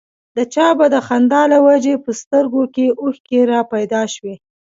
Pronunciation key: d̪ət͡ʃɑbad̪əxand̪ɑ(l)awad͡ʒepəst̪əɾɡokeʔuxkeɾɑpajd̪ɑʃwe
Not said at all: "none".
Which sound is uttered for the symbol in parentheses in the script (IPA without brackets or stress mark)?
l